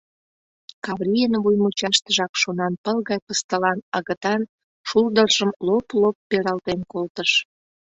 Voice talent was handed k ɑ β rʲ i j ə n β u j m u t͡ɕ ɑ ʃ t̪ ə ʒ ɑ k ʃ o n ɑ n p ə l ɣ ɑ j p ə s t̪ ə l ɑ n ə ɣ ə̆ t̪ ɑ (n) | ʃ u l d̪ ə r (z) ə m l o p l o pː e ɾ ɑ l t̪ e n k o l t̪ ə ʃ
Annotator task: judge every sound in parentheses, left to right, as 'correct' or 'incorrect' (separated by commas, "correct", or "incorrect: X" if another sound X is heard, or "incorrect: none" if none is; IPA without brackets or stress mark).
correct, incorrect: ʒ